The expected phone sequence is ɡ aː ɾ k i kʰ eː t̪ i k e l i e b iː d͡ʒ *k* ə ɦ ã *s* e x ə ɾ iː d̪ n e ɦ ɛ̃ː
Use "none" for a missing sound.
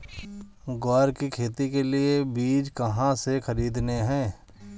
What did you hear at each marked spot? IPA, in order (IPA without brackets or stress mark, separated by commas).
k, s